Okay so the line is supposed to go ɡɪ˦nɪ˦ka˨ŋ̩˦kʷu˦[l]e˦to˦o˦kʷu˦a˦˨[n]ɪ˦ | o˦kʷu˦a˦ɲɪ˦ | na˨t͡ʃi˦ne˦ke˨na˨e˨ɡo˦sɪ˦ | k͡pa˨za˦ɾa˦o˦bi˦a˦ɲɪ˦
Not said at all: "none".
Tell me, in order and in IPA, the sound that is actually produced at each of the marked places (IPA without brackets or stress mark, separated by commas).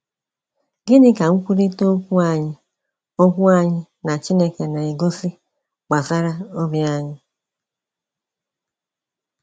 ɾ, ɲ